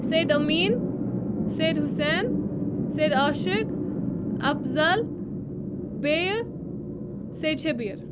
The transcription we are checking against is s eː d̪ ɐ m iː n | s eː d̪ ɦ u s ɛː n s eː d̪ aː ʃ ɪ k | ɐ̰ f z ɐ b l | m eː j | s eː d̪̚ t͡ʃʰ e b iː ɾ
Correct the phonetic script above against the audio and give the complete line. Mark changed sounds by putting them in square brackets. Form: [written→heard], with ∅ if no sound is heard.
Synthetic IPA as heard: s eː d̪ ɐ m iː n | s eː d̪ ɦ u s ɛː n s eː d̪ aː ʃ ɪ k | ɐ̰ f z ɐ [b→∅] l | [m→b] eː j | s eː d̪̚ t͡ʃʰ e b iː ɾ